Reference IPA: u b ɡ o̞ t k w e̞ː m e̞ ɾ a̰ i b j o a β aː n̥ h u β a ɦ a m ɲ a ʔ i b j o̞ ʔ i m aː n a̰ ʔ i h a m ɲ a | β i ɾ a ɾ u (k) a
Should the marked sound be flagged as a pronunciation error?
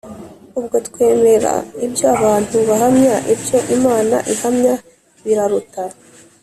yes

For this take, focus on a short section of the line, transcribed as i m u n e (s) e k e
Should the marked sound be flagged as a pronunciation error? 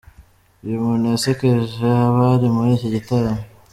no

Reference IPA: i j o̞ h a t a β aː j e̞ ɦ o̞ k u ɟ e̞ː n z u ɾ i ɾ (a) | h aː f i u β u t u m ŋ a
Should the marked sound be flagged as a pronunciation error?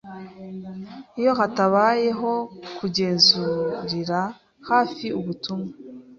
no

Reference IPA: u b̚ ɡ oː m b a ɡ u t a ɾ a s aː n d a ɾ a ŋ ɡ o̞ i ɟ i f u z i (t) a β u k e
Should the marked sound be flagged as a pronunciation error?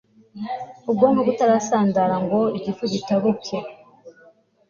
no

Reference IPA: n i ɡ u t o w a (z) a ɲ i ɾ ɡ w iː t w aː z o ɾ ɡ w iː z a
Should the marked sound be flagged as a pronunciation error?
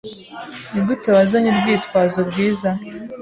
no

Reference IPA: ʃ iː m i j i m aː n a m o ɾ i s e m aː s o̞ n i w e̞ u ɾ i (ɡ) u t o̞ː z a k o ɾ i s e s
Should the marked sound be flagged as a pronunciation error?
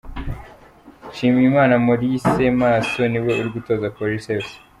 no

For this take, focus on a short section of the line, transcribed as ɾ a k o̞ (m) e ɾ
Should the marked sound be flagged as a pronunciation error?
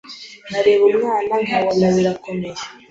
no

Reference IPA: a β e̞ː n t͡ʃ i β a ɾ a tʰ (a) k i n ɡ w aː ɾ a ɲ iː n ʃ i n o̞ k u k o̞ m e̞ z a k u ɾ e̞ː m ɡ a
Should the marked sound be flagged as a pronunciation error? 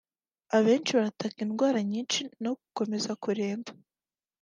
no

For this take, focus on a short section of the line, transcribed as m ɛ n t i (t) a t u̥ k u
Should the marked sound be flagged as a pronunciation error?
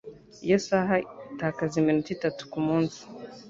no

